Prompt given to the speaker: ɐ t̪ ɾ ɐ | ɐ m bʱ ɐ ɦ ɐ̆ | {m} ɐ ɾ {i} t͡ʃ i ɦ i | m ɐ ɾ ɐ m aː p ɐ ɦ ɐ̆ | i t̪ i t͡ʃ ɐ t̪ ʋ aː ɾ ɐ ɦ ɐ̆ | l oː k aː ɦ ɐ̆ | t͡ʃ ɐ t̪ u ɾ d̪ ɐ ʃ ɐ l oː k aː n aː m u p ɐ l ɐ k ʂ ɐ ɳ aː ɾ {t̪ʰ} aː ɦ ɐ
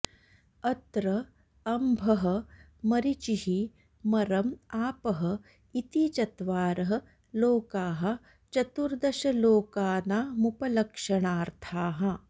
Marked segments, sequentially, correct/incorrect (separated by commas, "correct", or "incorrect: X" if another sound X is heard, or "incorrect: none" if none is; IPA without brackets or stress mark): correct, correct, correct